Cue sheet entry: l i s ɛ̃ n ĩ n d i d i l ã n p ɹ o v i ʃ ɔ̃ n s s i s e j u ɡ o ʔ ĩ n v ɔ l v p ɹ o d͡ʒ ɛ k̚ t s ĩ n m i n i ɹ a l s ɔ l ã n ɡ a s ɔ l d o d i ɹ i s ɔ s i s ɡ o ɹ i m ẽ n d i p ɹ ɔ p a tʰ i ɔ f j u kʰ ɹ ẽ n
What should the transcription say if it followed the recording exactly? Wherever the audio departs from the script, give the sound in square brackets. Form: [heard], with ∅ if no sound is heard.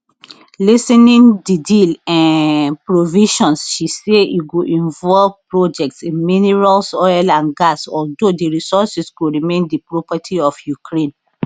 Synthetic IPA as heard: l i s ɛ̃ n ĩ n d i d i l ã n p ɹ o v i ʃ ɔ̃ n s [ʃ] i s e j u ɡ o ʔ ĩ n v ɔ l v p ɹ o d͡ʒ ɛ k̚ t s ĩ n m i n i ɹ a l s ɔ l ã n ɡ a s ɔ l d o d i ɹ i s ɔ s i s ɡ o ɹ i m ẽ n d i p ɹ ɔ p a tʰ i ɔ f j u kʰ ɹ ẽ n